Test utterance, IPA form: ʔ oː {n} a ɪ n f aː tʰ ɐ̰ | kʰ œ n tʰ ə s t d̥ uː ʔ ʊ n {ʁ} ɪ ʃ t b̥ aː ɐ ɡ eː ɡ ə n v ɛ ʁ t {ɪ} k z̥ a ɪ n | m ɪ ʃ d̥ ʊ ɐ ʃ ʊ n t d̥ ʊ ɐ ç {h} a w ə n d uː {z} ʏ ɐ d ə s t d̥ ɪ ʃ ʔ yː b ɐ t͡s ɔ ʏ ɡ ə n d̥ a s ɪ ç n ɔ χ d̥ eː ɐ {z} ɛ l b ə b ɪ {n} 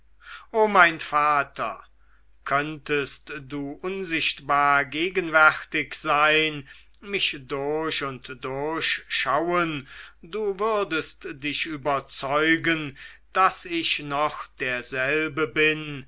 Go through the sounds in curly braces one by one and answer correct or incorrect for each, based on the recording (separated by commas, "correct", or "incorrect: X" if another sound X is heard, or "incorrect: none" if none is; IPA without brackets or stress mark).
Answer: incorrect: m, incorrect: z, correct, incorrect: ʃ, incorrect: v, correct, correct